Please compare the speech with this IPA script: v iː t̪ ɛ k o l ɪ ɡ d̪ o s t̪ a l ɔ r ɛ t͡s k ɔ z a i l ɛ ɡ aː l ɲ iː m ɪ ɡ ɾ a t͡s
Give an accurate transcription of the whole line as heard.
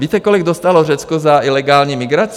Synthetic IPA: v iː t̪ ɛ k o l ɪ ɡ d̪ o s t̪ a l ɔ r ɛ t͡s k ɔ z a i l ɛ ɡ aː l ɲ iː m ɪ ɡ ɾ a t͡s